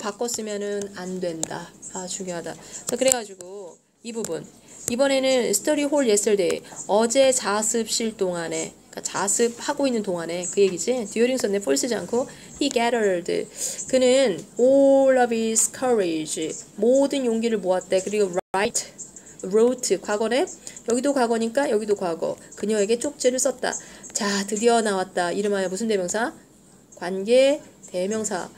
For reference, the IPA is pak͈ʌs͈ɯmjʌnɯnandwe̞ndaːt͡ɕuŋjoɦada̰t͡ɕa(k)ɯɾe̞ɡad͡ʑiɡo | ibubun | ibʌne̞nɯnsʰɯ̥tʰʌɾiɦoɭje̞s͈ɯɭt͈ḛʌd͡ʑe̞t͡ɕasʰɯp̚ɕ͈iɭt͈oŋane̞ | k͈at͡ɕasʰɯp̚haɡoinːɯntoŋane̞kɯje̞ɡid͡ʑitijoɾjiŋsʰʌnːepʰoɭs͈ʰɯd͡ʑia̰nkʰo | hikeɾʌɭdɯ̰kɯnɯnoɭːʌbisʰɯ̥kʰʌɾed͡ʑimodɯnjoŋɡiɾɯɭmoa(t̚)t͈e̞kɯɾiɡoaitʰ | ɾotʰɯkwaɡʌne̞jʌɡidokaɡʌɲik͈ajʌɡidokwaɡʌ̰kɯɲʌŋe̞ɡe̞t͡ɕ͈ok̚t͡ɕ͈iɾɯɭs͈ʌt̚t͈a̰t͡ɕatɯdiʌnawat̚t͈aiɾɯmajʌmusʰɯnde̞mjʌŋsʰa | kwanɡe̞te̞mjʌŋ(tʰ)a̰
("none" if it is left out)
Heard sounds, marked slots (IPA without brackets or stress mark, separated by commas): k, t̚, sʰ